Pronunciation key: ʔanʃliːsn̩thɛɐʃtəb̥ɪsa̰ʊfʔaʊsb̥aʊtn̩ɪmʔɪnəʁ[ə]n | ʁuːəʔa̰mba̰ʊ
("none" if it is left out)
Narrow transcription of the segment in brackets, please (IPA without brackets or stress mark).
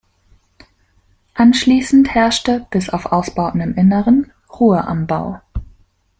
ə